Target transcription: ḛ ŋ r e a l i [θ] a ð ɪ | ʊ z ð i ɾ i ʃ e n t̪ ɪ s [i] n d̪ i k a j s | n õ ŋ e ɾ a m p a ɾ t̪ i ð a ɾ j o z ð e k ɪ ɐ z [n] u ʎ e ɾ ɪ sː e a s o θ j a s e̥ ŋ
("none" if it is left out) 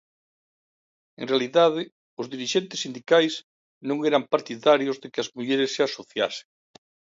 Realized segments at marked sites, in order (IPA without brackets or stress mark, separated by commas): ð, i, m